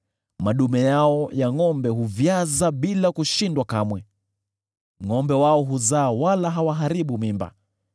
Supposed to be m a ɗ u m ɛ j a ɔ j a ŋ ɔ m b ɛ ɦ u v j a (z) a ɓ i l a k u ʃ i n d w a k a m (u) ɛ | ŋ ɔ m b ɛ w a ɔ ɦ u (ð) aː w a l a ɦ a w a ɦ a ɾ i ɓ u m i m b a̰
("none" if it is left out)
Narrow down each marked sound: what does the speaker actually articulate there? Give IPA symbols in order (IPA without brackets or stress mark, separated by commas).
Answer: z, w, z